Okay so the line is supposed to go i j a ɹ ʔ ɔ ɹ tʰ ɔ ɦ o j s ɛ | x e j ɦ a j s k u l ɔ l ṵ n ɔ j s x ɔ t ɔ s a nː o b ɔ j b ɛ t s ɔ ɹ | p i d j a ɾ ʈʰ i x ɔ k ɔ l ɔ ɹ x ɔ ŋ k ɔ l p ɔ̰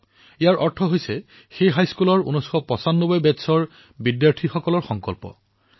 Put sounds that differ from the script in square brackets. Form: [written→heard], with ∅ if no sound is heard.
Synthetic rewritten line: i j a ɹ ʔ ɔ ɹ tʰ ɔ ɦ o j s ɛ | x e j ɦ a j s k u l ɔ [l→ɹ] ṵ n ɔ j s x ɔ [t→p] ɔ s a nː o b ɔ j b ɛ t s ɔ ɹ | [p→b] i d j a [ɾ→ɹ] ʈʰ i x ɔ k ɔ l ɔ ɹ x ɔ ŋ k ɔ l p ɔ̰